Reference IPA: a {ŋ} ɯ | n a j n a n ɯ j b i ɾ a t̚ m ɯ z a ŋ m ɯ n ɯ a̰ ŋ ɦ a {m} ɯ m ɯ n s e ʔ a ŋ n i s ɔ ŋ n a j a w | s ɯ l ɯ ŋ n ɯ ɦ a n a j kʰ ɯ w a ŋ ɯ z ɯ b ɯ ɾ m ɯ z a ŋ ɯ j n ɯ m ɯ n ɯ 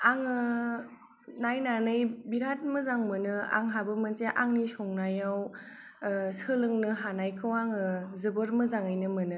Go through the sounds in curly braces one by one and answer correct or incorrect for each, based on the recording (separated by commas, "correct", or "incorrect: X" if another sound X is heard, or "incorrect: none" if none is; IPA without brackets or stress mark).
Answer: correct, incorrect: b